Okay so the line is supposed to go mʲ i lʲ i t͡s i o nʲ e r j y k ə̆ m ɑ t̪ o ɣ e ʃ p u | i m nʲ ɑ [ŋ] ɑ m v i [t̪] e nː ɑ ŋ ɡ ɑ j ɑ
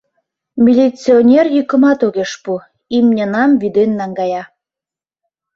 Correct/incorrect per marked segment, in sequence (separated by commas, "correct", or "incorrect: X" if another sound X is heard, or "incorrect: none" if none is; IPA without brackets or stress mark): incorrect: n, incorrect: d̪